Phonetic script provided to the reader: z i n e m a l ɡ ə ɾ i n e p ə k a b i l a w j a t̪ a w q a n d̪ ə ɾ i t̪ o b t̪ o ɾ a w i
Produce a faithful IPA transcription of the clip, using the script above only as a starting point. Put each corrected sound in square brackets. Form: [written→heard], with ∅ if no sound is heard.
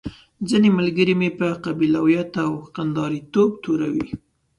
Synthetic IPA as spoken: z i n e m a l ɡ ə ɾ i [n→m] e p ə [k→q] a b i l a w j a t̪ a w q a n d̪ [ə→ɑ] ɾ i t̪ o b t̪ o ɾ a w i